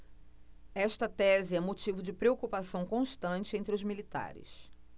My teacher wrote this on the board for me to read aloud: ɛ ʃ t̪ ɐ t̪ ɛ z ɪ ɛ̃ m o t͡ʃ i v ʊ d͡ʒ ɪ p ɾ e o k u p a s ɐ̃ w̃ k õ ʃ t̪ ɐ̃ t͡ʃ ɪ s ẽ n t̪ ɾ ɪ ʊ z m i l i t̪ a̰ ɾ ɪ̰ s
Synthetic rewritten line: ɛ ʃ t̪ ɐ t̪ ɛ z ɪ ɛ̃ m o t͡ʃ i v ʊ d͡ʒ ɪ p ɾ e o k u p a s ɐ̃ w̃ k õ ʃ t̪ ɐ̃ t͡ʃ ɪ ẽ n t̪ ɾ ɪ ʊ z m i l i t̪ a̰ ɾ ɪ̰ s